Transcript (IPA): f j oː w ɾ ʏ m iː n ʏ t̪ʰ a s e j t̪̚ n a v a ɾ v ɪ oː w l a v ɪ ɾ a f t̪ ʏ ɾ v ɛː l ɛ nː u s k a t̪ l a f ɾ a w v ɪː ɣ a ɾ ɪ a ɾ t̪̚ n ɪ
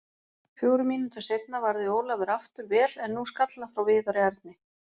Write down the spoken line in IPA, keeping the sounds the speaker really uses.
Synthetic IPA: f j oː w ɾ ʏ m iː n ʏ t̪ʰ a s e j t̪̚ n a v a ɾ ð ɪ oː w l a v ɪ ɾ a f t̪ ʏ ɾ v ɛː l ɛ nː u s k a t̪ l a f ɾ a w v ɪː ð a ɾ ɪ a ɾ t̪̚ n ɪ